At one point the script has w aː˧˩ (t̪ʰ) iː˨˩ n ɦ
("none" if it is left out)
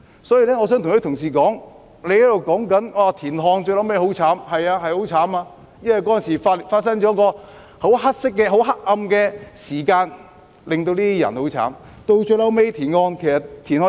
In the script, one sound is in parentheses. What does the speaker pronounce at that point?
t̪ʰ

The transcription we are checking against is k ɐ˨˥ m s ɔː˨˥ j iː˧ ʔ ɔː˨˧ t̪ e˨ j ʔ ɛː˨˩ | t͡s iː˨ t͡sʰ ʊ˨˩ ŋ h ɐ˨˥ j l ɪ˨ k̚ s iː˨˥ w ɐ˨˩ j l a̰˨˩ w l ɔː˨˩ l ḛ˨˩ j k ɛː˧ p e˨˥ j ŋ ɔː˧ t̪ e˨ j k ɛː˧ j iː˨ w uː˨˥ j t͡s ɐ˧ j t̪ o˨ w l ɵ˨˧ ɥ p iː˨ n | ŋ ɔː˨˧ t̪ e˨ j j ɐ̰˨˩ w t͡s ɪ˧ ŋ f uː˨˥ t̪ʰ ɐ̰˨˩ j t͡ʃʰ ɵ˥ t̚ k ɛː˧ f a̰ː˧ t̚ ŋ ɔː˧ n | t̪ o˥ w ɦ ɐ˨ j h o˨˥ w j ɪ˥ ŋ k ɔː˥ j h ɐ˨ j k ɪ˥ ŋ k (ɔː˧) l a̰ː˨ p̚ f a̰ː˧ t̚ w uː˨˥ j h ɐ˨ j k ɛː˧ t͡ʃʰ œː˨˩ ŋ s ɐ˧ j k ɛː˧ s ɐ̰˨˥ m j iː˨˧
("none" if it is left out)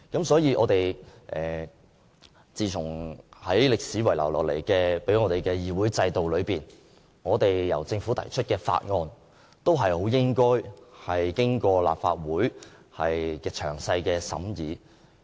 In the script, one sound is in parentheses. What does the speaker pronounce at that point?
ɔː˧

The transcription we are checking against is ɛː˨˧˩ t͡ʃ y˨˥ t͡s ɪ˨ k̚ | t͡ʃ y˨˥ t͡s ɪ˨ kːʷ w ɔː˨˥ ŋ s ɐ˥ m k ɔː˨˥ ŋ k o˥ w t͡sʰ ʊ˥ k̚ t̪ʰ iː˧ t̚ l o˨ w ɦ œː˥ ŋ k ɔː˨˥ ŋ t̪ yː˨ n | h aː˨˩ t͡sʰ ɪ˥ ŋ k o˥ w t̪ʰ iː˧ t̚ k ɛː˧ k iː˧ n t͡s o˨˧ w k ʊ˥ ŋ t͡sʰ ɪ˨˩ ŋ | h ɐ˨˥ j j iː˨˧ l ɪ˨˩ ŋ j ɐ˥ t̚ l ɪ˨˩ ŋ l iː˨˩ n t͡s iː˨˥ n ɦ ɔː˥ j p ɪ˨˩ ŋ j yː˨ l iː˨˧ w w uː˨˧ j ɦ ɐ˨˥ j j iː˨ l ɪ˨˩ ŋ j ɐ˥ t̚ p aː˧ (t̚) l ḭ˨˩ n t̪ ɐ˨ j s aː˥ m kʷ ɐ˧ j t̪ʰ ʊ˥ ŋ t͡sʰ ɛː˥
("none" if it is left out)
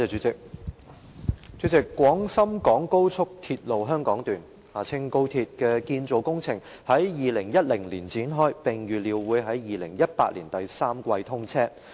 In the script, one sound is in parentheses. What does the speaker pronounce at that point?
t̚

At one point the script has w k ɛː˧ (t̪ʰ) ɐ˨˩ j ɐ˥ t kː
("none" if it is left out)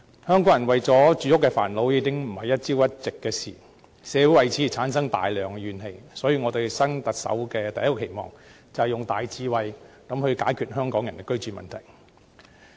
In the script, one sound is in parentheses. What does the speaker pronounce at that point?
t̪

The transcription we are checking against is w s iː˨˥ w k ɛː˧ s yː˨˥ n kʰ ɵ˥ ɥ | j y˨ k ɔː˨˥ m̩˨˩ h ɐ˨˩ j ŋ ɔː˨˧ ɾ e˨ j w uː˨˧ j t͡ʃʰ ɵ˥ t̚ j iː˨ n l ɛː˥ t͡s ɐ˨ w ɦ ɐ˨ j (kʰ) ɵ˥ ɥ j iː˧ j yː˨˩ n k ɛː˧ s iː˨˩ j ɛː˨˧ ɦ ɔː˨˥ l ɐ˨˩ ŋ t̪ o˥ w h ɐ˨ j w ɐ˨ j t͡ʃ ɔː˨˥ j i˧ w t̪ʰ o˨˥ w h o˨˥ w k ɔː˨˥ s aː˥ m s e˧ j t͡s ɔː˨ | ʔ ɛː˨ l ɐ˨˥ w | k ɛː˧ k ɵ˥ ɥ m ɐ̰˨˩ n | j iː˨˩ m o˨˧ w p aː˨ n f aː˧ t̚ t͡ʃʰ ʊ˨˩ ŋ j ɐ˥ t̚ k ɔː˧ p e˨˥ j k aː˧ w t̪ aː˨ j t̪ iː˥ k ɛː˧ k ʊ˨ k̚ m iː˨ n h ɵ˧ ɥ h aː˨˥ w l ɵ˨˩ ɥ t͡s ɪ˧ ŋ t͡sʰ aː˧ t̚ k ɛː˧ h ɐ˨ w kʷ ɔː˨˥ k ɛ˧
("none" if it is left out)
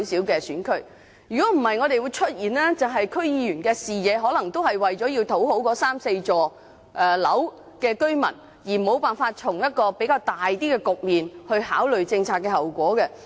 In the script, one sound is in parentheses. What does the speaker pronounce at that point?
kʰ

